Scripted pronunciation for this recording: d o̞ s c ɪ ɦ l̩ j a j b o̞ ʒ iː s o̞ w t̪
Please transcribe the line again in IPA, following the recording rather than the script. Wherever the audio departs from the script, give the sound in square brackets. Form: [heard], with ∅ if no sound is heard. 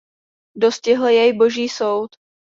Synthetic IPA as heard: d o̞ s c ɪ ɦ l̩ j [ɛ] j b o̞ ʒ iː s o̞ w t̪